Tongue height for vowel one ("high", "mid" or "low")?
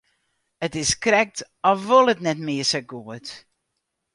mid